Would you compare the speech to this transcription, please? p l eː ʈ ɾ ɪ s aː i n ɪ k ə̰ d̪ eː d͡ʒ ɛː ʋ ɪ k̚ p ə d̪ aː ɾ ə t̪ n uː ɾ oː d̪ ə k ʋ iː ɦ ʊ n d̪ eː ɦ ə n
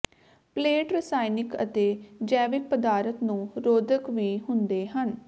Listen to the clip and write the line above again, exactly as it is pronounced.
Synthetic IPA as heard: p l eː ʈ ɾ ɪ s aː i n ɪ k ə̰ t̪ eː d͡ʒ ɛː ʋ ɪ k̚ p ə d̪ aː ɾ ə t̪ n ũː ɾ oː d̪ ə k ʋ iː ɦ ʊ n d̪ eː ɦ ə n